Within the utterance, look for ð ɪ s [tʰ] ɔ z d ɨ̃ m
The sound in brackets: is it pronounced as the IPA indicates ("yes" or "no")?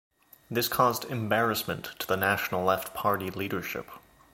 no